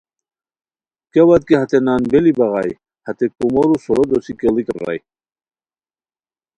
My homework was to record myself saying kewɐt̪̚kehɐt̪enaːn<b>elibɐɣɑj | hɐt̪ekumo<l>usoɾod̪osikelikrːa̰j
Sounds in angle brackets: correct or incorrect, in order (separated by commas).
correct, incorrect